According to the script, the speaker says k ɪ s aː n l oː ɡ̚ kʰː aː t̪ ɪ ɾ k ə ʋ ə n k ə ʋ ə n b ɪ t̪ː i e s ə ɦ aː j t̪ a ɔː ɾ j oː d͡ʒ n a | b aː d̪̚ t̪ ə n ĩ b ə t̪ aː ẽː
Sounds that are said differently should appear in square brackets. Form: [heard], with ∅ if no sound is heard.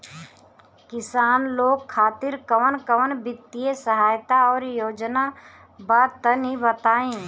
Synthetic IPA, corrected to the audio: k ɪ s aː n l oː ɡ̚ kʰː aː t̪ ɪ ɾ k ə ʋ ə n k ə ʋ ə n b ɪ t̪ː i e s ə ɦ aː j t̪ a ɔː ɾ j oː d͡ʒ n a | b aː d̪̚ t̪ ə n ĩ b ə t̪ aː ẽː